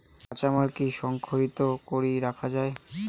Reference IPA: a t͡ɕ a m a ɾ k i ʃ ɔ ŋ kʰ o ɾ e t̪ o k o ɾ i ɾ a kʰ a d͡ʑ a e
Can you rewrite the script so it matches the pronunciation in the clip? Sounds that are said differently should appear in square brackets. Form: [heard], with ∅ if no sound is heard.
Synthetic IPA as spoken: a t͡ɕ a m a ɾ k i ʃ ɔ ŋ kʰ o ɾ [i] t̪ o k o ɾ i ɾ a kʰ a d͡ʑ a e